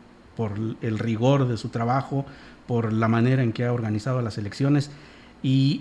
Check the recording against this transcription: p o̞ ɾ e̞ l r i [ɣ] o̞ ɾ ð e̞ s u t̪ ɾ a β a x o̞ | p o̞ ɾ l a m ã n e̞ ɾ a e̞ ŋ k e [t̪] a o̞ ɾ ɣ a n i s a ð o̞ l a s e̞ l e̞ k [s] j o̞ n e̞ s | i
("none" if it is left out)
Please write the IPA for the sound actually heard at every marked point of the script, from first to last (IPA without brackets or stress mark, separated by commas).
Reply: ɣ, none, s